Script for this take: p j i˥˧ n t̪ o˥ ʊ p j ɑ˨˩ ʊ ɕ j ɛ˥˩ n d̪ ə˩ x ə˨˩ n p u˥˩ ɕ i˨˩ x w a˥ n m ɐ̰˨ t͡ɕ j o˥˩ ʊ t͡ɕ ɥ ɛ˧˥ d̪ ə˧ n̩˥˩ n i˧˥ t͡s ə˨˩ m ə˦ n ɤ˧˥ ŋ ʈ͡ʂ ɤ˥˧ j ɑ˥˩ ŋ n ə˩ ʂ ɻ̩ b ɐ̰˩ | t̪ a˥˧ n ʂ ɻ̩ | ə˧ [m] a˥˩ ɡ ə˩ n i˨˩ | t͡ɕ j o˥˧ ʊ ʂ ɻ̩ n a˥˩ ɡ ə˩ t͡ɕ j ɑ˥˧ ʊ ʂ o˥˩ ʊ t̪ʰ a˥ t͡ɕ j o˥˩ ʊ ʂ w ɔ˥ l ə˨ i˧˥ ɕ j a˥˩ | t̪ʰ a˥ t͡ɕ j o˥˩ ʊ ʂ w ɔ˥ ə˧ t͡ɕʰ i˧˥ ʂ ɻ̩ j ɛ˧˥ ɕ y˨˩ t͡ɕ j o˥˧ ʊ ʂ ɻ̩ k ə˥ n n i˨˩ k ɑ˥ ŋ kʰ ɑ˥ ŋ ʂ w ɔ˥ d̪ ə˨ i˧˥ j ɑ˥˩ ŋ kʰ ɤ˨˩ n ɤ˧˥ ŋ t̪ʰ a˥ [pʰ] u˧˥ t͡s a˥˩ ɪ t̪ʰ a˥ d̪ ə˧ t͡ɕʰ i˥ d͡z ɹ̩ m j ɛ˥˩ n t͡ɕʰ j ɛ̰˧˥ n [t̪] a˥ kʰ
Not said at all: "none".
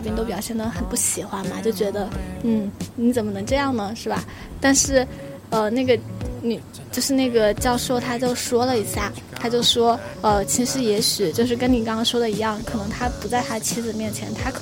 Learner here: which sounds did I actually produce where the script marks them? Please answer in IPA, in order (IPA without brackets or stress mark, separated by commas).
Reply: n, p, t̪ʰ